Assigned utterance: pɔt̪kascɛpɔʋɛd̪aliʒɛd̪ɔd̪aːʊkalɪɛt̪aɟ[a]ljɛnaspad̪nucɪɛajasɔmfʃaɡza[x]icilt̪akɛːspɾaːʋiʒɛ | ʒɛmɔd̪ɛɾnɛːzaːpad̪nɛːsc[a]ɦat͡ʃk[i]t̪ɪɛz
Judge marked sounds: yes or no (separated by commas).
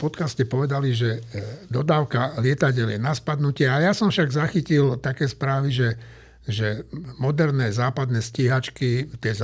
no, yes, no, yes